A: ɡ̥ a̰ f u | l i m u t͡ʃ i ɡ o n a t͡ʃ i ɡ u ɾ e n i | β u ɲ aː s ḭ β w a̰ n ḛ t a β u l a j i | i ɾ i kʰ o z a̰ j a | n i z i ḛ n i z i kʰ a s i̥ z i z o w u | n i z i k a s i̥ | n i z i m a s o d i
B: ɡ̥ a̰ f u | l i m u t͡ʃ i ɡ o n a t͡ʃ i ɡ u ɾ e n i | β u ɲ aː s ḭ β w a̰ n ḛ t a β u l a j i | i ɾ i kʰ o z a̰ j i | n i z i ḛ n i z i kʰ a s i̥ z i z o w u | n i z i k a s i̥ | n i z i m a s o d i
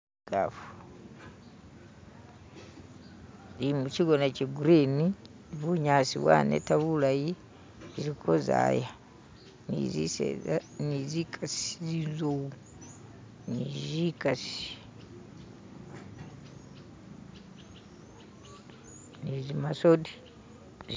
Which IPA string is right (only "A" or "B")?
A